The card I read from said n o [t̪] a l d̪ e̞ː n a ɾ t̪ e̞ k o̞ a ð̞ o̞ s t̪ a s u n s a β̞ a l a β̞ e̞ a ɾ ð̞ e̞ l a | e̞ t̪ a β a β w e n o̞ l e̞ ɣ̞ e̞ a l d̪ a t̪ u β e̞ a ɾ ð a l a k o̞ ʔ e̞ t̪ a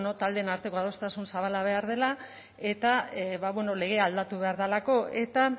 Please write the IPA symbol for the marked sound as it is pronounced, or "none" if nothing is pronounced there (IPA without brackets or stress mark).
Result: t̪